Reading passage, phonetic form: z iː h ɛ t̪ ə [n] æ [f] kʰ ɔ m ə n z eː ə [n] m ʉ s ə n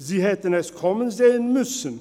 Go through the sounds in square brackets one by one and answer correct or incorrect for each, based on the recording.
correct, incorrect, correct

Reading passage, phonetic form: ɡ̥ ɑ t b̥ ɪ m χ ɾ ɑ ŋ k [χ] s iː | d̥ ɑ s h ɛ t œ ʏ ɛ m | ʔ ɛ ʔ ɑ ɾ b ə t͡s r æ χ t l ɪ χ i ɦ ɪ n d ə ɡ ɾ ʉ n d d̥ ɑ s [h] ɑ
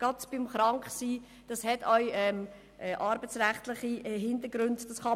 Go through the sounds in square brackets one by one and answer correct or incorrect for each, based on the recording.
correct, incorrect

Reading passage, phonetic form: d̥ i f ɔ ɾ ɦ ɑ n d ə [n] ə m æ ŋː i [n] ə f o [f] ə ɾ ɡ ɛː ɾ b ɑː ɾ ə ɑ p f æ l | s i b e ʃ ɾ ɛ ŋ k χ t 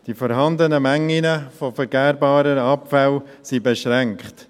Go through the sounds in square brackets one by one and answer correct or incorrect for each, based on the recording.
correct, correct, correct

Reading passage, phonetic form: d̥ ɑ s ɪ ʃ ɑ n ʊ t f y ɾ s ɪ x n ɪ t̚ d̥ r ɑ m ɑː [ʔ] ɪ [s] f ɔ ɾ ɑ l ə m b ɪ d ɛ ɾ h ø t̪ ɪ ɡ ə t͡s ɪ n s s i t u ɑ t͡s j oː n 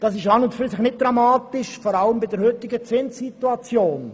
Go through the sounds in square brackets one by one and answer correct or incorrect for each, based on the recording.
incorrect, incorrect

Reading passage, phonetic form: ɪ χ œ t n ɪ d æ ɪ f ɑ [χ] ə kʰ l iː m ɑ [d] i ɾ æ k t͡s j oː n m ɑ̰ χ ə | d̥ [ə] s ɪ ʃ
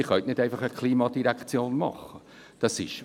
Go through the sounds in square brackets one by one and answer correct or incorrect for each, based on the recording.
correct, correct, incorrect

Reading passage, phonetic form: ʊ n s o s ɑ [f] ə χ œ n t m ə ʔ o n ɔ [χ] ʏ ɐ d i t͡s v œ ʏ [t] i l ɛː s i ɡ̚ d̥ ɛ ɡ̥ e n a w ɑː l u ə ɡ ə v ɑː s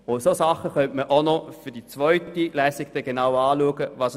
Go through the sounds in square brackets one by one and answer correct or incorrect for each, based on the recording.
incorrect, incorrect, correct

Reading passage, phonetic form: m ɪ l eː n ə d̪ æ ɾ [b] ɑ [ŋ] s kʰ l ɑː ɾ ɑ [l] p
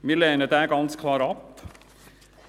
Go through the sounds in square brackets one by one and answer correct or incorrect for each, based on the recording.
incorrect, incorrect, incorrect

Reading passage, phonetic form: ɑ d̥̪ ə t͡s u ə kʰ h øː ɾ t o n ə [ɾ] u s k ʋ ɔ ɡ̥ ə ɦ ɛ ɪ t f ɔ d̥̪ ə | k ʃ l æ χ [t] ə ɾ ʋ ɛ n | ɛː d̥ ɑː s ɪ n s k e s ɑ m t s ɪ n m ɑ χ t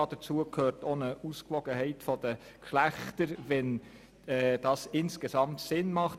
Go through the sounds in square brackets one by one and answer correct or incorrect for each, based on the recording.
incorrect, correct

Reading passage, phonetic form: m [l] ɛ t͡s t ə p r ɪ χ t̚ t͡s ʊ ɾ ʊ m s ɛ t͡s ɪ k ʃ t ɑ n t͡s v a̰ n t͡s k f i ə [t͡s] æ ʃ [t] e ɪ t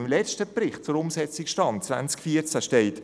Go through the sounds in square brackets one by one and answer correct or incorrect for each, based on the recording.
correct, correct, correct

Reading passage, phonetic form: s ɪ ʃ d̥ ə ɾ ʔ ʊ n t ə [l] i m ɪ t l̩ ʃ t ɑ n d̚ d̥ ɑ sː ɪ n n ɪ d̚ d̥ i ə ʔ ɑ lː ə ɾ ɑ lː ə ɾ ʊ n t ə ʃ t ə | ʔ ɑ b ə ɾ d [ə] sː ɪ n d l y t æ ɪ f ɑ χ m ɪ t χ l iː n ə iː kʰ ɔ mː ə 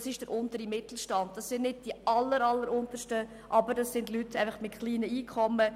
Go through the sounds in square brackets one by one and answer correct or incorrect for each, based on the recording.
incorrect, incorrect

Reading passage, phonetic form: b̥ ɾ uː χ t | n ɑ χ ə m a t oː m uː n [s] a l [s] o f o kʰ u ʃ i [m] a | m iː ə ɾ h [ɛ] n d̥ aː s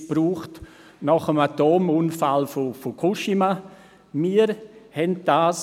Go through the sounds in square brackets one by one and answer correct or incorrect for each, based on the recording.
incorrect, incorrect, correct, correct

